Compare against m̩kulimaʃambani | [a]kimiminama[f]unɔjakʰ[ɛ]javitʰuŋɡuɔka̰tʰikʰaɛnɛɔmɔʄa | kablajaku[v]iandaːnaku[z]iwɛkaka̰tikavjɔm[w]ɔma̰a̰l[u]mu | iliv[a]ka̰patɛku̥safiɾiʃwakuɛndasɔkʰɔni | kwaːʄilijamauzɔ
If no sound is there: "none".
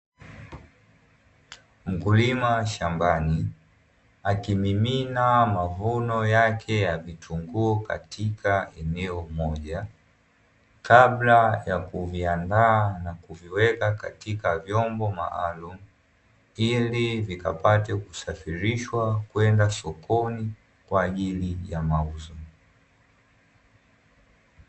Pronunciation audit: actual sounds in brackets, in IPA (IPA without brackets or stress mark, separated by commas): a, v, ɛ, v, v, b, u, i